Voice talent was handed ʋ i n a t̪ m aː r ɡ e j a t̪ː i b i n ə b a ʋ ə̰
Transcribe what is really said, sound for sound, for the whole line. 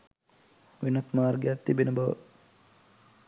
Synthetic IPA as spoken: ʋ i n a t̪ m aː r ɡ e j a t̪ː i b e n ə b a ʋ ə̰